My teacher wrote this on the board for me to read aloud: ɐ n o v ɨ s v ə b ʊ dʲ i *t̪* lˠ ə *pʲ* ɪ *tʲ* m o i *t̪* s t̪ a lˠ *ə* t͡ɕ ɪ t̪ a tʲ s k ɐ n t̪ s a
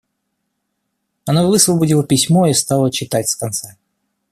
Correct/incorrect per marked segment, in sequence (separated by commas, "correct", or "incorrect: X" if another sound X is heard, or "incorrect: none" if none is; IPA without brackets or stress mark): incorrect: none, correct, incorrect: sʲ, incorrect: none, correct